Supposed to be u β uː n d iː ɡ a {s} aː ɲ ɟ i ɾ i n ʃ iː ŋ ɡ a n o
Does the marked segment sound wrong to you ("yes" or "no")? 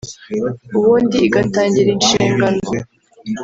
yes